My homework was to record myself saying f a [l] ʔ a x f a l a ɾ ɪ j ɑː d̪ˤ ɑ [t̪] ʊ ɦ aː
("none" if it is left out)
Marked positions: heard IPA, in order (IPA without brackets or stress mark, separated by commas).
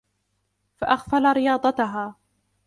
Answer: none, t̪